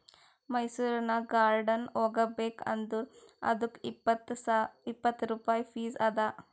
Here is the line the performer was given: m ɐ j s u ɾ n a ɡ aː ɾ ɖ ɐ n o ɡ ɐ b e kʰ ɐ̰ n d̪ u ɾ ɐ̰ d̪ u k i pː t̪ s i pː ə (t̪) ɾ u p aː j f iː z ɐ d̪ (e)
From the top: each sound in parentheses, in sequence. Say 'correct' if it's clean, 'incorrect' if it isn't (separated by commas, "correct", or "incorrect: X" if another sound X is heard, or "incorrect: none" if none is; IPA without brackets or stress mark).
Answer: correct, incorrect: a